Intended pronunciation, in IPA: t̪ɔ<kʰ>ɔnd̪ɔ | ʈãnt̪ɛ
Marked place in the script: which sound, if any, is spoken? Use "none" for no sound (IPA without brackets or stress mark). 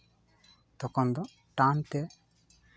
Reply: k